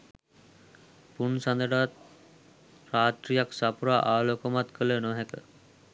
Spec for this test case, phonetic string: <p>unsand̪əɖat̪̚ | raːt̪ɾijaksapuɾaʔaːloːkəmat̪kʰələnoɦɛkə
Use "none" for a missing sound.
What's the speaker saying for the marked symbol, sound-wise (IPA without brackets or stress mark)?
p